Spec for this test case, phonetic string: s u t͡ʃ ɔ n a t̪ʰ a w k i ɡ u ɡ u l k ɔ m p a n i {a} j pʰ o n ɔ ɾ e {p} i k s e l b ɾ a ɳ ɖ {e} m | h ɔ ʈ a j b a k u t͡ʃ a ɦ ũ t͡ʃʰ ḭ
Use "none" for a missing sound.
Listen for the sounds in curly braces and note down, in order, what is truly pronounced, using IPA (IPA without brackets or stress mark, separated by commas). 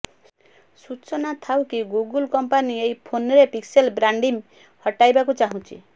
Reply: e, p, i